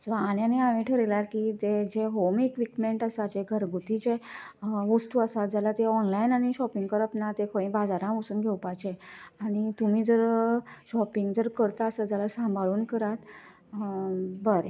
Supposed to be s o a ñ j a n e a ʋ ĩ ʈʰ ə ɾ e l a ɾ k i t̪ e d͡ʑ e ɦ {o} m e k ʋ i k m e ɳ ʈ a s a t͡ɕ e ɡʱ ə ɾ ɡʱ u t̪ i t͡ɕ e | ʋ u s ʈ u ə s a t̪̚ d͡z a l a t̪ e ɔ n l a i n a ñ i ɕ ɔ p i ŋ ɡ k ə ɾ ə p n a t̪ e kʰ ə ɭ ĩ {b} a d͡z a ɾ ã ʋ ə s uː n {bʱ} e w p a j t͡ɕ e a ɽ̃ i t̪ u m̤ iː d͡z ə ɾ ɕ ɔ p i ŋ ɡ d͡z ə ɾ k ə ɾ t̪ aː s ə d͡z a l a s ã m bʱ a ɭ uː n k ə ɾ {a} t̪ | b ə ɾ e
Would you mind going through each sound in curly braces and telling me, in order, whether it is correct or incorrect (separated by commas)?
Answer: correct, correct, incorrect, correct